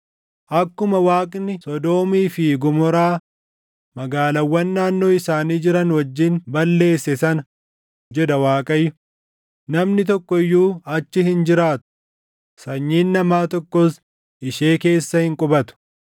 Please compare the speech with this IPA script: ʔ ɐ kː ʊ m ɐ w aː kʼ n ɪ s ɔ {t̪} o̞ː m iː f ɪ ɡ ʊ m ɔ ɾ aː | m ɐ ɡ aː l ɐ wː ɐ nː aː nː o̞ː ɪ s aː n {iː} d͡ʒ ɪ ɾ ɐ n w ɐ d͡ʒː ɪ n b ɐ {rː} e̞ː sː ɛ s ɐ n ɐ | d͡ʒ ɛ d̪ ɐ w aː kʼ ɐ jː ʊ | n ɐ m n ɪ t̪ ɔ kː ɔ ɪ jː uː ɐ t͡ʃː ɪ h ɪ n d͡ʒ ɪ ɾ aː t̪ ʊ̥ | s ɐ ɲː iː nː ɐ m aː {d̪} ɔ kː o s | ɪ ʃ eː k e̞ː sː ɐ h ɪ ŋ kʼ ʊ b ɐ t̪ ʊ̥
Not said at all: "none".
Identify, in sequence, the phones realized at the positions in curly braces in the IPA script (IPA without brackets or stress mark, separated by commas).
d̪, iː, lː, t̪